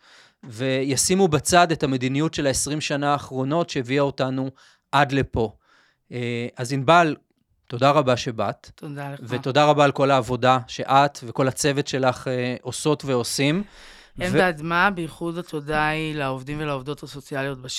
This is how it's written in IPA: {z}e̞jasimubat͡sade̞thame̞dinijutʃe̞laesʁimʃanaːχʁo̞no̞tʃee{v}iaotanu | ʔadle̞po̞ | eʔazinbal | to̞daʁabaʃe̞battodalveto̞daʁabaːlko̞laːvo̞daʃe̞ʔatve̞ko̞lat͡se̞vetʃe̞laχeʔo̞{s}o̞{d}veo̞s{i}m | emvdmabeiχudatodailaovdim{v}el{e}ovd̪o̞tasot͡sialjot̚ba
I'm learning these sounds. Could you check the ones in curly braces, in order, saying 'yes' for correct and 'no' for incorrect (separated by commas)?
no, yes, yes, no, yes, yes, no